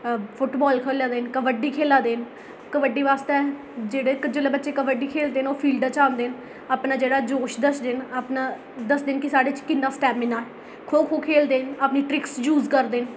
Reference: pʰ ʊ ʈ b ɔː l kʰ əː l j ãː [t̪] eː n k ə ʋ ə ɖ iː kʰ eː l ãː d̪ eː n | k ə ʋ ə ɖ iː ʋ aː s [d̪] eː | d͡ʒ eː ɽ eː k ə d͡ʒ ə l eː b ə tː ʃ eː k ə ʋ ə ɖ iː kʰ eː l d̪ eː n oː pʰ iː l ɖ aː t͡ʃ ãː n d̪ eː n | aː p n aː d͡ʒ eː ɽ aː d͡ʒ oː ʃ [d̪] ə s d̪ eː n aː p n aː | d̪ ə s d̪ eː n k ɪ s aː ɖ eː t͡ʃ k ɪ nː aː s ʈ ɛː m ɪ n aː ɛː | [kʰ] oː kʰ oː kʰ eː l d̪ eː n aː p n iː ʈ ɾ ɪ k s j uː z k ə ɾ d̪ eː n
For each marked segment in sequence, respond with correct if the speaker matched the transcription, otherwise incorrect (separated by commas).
incorrect, incorrect, correct, correct